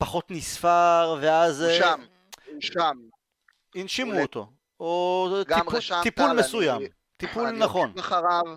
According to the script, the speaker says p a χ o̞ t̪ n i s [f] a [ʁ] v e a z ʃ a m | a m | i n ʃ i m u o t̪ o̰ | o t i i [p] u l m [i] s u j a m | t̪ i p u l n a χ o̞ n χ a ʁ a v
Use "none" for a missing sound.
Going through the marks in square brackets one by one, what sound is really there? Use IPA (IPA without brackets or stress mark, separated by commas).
f, ʁ, p, e